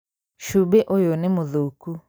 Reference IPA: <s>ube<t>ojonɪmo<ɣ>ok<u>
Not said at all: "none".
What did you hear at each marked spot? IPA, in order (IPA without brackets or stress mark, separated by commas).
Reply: ʃ, ʔ, ð, u